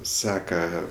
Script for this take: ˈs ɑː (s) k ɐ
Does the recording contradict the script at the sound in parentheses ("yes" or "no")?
yes